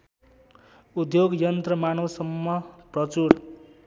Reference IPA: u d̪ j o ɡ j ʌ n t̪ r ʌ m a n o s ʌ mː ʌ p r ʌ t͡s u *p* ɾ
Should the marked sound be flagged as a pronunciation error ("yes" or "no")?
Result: yes